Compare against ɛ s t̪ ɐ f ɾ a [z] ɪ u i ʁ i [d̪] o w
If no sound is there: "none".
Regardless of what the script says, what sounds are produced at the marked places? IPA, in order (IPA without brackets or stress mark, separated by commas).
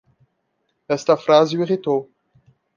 z, t̪